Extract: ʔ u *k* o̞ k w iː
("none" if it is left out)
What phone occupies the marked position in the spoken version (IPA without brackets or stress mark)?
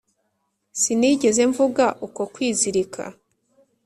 k